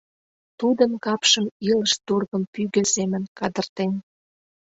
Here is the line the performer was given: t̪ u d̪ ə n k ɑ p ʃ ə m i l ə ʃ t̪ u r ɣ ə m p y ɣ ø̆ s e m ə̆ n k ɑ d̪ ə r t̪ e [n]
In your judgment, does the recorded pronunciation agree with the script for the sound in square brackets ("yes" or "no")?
yes